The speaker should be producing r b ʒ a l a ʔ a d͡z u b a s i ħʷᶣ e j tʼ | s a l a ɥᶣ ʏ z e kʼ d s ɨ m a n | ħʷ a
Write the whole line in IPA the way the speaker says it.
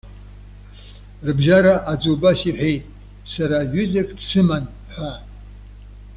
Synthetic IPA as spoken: r b ʒ a ɾ a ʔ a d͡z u b a s i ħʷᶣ e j tʼ | s a ɾ a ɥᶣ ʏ z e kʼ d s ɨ m a n | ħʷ a